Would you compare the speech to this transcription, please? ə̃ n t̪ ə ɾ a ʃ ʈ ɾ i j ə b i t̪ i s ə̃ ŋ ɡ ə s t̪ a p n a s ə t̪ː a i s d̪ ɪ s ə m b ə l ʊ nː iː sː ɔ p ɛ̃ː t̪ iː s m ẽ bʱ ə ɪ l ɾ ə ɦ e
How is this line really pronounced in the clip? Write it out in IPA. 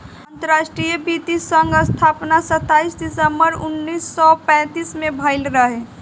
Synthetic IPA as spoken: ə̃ n t̪ ə ɾ a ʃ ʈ ɾ i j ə b i t̪ i s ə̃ ŋ ɡ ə s t̪ʰ a p n a s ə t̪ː a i s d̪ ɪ s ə m b ə ɾ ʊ nː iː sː ɔ p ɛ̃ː t̪ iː s m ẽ bʱ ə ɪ l ɾ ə ɦ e